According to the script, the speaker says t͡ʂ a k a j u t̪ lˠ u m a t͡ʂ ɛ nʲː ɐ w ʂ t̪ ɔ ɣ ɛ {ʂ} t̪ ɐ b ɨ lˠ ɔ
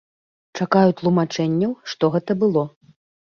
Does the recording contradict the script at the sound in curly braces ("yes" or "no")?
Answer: yes